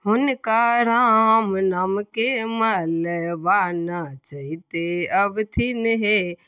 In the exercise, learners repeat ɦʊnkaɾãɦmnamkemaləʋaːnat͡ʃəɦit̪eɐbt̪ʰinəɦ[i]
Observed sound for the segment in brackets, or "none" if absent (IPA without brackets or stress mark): e